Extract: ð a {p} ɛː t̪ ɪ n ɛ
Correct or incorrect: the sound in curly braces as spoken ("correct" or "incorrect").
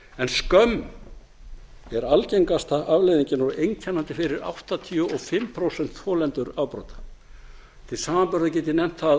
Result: incorrect